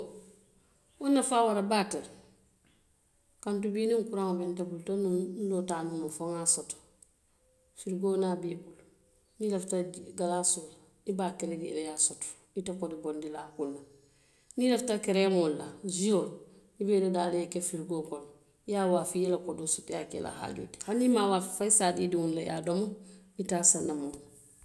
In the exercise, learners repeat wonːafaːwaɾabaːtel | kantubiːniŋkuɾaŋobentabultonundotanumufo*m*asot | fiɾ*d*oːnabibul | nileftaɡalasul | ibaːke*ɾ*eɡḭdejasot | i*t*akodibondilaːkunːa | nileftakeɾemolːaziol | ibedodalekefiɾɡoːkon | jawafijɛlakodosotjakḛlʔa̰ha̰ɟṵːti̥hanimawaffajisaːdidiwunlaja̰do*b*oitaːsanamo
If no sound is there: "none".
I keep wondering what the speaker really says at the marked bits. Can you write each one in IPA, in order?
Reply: ŋ, ɡ, ɾ, t, m

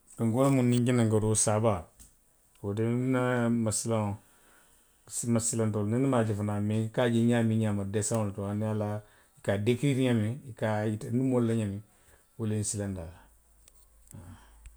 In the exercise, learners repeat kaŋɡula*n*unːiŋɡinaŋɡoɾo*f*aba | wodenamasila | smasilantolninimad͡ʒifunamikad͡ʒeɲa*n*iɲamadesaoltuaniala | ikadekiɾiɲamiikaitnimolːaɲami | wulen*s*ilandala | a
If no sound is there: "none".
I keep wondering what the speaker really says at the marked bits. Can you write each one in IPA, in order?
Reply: m, s, m, s

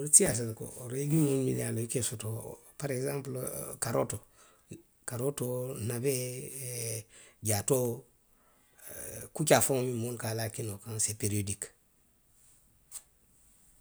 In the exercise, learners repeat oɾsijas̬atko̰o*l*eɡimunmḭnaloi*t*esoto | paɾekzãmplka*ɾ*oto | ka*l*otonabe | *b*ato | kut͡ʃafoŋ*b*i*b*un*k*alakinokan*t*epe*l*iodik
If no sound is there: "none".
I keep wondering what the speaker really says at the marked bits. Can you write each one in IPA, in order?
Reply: ɾ, k, ɾ, ɾ, ɟ, m, m, k, s, ɾ

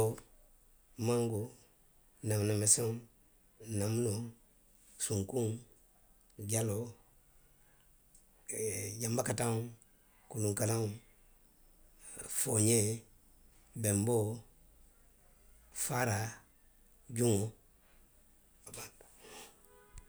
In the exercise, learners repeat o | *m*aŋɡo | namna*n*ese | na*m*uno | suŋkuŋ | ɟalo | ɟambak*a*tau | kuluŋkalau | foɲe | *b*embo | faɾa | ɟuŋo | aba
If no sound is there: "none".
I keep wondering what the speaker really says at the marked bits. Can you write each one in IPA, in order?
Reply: m, m, m, a, b

